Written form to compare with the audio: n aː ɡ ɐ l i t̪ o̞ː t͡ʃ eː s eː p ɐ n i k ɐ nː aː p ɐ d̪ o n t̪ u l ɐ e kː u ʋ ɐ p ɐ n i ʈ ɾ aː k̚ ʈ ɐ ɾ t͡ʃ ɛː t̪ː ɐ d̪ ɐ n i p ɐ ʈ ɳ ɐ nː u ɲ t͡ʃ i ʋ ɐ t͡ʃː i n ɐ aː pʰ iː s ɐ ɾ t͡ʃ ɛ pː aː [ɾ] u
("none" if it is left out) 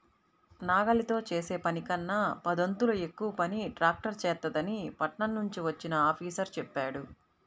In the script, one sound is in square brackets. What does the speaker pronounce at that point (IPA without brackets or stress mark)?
ɽ